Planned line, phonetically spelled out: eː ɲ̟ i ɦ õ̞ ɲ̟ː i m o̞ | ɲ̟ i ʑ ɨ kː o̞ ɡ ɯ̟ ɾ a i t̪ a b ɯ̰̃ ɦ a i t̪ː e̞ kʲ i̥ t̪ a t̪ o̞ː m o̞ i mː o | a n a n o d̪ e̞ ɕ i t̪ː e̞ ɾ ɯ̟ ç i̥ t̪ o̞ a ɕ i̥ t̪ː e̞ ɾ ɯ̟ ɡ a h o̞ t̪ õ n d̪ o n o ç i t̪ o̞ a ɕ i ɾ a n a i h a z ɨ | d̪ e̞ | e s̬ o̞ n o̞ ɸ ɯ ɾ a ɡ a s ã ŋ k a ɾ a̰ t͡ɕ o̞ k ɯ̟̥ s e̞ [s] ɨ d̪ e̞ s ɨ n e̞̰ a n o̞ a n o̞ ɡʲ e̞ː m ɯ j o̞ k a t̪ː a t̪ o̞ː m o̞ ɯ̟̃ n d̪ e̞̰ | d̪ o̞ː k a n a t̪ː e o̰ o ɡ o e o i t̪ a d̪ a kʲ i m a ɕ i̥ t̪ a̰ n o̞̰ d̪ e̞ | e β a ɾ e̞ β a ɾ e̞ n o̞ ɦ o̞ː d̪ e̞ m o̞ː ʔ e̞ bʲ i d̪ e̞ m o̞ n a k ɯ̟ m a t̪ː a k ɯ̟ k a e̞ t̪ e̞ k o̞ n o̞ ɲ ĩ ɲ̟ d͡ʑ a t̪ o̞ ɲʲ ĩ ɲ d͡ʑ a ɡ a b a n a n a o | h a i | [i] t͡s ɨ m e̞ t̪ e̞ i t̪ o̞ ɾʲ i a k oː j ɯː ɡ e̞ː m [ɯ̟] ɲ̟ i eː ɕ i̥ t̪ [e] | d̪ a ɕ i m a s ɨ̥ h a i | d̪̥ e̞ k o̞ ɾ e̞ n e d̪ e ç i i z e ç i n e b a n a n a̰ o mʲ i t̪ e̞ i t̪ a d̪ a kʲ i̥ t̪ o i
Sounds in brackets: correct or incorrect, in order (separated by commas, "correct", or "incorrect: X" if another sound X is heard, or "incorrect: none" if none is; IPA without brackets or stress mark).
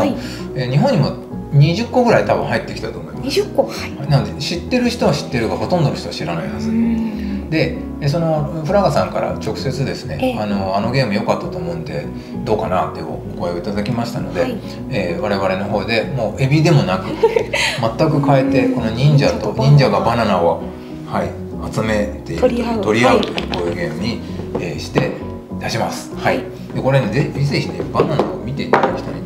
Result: incorrect: t͡s, incorrect: a, correct, correct